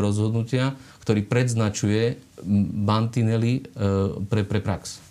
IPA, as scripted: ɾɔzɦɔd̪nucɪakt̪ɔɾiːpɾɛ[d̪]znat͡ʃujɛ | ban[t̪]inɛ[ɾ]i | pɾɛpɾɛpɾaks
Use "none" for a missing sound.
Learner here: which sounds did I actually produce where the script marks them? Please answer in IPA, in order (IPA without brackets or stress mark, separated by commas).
d̪, t̪, l